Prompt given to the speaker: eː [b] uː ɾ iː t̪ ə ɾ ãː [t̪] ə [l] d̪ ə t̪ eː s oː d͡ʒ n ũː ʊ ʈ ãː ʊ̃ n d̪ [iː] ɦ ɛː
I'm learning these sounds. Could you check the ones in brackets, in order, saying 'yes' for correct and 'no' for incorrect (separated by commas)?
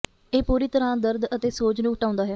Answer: no, no, no, no